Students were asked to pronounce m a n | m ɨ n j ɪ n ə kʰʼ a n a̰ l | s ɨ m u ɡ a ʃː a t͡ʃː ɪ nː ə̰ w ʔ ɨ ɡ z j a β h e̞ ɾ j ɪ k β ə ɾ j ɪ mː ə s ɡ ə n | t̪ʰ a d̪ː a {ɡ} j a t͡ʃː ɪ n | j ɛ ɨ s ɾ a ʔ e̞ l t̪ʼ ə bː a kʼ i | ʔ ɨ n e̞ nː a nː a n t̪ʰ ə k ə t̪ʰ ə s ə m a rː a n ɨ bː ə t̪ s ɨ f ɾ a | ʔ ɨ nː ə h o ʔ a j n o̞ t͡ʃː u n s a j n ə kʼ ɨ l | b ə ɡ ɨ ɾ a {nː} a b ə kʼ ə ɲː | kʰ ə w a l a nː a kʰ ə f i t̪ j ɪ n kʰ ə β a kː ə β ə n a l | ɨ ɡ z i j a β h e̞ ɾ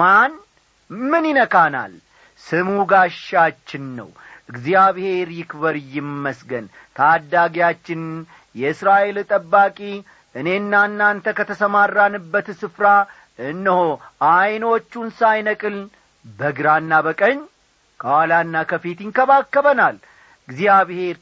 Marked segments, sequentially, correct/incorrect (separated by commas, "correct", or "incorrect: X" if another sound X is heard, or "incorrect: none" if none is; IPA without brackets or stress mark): correct, correct